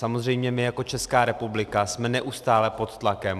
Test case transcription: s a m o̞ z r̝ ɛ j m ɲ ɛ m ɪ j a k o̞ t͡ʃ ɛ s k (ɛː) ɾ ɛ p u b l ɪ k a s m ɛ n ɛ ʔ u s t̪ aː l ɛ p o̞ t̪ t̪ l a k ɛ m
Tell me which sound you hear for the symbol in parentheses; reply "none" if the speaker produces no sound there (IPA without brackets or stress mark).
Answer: aː